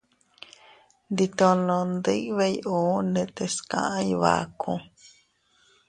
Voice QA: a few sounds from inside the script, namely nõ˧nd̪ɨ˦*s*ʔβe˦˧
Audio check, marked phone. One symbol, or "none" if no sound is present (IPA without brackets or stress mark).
none